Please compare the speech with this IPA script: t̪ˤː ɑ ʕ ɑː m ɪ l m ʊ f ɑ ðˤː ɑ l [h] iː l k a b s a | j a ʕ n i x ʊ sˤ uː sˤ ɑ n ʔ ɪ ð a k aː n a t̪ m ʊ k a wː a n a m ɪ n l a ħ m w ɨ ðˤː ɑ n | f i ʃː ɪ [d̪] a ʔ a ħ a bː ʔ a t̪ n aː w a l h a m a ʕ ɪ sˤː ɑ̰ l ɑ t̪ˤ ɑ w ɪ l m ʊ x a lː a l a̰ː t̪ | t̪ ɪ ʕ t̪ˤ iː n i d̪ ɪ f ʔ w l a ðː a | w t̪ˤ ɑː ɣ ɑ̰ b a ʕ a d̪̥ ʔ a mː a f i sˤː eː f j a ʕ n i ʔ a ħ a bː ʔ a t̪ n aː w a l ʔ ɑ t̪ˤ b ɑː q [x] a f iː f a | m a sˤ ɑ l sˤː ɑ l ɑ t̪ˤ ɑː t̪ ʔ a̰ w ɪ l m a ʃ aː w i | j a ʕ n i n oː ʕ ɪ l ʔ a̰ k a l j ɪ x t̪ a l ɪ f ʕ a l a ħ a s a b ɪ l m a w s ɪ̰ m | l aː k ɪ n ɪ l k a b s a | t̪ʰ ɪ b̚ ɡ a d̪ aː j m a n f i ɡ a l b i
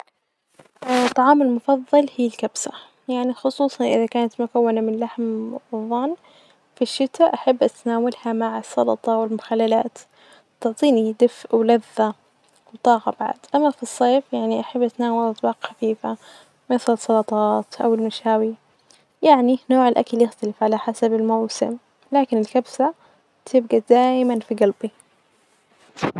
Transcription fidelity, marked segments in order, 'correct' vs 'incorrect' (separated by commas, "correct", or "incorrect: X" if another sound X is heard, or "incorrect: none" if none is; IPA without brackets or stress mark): correct, incorrect: t̪, correct